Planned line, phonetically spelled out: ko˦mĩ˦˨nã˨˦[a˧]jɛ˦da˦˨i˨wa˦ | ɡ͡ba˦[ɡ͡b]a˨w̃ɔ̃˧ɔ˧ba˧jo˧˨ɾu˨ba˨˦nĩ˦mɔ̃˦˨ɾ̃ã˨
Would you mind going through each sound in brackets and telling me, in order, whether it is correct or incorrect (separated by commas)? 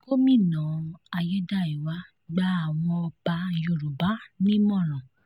correct, incorrect